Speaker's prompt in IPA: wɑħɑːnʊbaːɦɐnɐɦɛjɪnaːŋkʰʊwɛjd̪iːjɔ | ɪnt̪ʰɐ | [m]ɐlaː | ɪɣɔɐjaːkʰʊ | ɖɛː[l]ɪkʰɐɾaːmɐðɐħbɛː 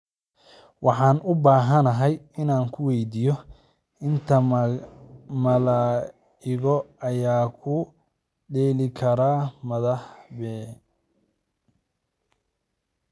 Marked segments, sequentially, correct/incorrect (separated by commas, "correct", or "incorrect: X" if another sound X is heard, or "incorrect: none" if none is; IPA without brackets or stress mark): correct, correct